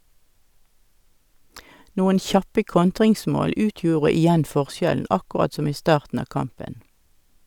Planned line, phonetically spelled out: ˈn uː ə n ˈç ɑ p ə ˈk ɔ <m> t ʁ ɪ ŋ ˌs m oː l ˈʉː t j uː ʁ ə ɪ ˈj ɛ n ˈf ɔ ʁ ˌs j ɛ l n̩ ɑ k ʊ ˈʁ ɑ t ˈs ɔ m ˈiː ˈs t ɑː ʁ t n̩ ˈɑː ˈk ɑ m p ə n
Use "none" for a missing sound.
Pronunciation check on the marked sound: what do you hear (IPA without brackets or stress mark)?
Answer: n